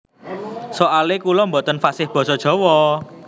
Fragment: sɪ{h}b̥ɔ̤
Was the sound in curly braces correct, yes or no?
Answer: yes